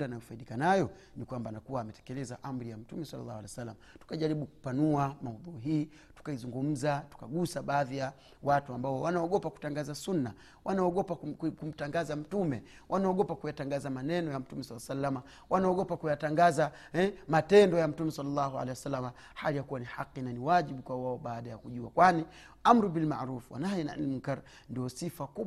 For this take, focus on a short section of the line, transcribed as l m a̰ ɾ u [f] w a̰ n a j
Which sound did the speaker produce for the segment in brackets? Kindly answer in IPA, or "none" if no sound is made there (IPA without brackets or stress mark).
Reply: f